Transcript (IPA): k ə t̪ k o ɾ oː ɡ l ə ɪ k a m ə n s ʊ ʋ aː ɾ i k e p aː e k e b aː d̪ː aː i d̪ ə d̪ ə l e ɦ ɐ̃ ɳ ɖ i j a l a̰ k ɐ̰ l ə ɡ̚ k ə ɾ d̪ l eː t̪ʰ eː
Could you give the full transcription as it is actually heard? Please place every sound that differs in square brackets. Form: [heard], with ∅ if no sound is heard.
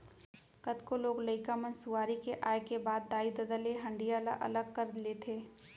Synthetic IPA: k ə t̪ k o [l] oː ɡ l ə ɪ k a m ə n s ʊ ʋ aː ɾ i k e [ʔ] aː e k e b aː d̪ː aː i d̪ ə d̪ ə l e ɦ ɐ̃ ɳ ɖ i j a l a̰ [ʔ] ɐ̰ l ə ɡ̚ k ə ɾ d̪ l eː t̪ʰ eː